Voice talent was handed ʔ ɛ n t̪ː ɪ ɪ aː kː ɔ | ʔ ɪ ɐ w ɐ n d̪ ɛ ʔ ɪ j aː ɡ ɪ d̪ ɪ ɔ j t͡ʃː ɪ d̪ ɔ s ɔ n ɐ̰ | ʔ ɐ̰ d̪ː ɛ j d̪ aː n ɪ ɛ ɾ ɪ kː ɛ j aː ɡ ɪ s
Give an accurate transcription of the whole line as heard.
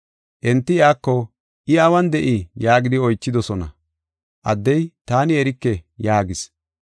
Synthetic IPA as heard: ʔ ɛ n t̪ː ɪ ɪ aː kː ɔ | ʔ ɪ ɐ w ɐ n d̪ ɛ ʔ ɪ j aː ɡ ɪ d̪ ɪ ɔ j t͡ʃː ɪ d̪ ɔ s ɔ n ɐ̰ | ʔ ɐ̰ d̪ː ɛ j t̪ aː n ɪ ɛ ɾ ɪ kː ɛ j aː ɡ ɪ s